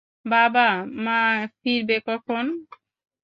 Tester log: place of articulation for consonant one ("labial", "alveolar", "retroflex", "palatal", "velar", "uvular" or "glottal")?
labial